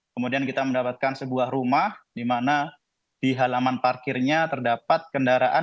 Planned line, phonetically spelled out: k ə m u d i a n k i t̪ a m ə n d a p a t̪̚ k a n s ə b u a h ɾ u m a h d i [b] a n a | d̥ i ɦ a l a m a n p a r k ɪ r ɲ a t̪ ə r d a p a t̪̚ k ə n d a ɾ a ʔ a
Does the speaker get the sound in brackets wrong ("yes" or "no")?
yes